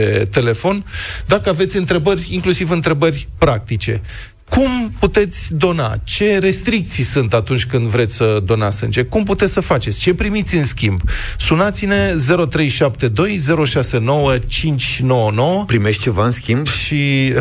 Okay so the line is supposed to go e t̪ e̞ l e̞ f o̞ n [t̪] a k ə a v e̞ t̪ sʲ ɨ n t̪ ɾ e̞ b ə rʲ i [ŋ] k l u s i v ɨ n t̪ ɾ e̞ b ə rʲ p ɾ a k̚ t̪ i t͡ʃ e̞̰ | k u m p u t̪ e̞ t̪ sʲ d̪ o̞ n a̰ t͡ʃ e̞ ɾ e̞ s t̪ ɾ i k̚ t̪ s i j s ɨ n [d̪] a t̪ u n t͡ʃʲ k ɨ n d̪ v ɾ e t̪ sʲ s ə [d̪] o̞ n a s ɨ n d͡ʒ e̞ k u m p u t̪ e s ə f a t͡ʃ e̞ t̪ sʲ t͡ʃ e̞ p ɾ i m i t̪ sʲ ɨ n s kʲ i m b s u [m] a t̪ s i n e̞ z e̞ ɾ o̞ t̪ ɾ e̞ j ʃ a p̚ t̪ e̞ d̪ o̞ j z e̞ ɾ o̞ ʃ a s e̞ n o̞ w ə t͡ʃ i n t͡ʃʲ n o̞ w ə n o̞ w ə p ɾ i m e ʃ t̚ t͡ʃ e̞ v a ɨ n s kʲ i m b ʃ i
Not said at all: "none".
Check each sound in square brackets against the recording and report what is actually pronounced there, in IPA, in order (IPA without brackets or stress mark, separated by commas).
d̪, ŋ, t̪, d̪, n